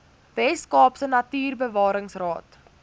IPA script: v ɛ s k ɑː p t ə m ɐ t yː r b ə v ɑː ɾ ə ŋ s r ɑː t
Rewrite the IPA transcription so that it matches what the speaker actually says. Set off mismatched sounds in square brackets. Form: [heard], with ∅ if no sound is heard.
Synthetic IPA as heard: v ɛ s k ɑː p [s] ə [n] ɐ t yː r b ə v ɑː ɾ ə ŋ s r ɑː t